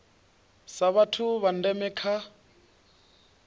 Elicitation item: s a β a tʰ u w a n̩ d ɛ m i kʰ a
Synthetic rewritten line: s a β a tʰ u β a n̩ d ɛ m ɛ kʰ a